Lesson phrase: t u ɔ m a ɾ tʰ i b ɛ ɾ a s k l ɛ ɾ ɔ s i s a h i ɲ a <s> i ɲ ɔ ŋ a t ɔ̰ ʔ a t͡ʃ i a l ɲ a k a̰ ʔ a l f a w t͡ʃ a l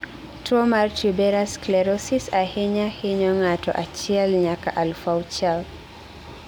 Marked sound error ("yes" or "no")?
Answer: yes